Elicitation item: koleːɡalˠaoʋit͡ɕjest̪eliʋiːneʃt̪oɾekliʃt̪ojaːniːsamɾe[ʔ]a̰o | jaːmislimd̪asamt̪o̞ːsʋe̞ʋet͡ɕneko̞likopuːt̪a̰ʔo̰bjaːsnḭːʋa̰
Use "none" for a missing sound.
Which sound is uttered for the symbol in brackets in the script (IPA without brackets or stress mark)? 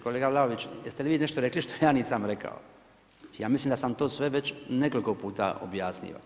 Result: k